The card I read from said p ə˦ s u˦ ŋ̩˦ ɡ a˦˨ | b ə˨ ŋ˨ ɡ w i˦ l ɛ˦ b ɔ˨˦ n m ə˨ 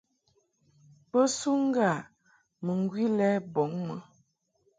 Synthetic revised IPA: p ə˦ s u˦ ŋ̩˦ ɡ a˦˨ | m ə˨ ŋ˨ ɡ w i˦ l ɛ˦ b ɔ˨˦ ŋ m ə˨